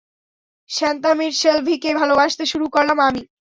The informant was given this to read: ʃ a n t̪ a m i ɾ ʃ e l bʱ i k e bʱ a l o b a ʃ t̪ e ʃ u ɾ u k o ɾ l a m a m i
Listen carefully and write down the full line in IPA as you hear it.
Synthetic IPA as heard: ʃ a n t̪ a m i ɾ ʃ e l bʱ i k e bʱ a l o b a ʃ t̪ e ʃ u ɾ u k o ɾ l a m a m i